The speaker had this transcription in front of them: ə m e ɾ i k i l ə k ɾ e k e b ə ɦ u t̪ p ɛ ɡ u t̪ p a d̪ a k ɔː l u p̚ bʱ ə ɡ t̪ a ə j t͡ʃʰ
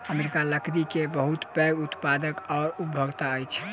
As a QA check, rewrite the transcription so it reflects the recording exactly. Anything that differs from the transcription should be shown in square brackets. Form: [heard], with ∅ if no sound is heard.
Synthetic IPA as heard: ə m e ɾ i k [a] l ə k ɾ [i] k e b ə ɦ u t̪ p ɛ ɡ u t̪ p a d̪ [ə] k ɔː [ɾ] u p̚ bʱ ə ɡ t̪ a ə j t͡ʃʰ